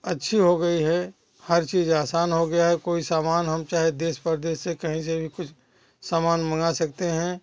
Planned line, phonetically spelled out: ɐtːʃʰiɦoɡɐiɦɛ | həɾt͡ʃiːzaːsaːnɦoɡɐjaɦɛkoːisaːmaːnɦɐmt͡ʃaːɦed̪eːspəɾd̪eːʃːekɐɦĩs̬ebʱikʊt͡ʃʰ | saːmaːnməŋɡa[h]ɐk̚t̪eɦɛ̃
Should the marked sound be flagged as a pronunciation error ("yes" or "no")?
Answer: yes